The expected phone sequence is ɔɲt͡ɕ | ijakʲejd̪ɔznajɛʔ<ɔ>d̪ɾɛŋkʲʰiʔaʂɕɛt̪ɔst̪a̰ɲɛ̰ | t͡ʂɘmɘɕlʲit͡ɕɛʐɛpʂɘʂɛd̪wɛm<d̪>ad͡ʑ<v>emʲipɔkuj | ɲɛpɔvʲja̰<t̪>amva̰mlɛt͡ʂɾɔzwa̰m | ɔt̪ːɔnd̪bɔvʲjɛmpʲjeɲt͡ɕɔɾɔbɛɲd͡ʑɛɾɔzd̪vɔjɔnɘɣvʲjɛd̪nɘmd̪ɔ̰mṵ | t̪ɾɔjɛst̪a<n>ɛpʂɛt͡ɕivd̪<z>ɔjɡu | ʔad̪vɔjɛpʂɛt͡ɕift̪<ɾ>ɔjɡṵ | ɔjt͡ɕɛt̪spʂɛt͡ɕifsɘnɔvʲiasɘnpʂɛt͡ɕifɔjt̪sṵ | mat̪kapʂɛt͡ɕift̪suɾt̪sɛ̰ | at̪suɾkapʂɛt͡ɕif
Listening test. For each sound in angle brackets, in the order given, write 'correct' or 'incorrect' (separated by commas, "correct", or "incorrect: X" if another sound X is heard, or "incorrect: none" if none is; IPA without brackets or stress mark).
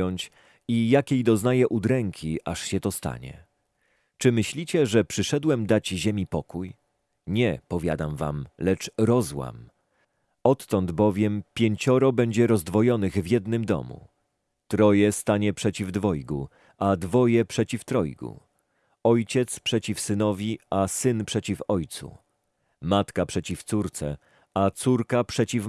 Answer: incorrect: u, correct, incorrect: ʑ, incorrect: d̪, incorrect: ɲ, incorrect: v, correct